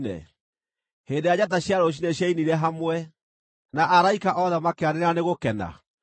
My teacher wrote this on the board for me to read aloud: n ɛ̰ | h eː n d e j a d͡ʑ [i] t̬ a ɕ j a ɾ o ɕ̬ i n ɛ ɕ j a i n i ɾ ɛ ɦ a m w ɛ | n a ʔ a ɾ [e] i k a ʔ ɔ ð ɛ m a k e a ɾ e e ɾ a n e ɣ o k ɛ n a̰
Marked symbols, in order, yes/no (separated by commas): no, no